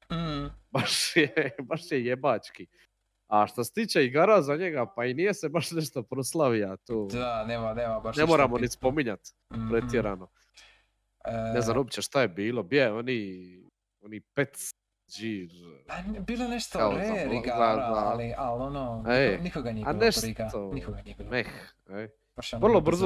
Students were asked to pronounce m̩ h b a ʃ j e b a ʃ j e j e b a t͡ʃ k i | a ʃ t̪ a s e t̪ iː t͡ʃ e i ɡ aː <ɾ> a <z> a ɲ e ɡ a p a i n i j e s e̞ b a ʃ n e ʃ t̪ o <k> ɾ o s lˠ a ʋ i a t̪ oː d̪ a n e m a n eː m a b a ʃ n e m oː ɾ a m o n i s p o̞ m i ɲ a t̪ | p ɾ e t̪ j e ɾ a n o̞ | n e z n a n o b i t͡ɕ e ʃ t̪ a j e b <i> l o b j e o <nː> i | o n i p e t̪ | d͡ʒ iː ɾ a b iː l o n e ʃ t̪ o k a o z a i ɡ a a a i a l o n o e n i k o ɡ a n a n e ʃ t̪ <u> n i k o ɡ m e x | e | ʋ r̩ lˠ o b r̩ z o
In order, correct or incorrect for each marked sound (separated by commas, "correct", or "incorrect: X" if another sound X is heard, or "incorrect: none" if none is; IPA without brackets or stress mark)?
correct, correct, incorrect: p, incorrect: iː, incorrect: n, incorrect: o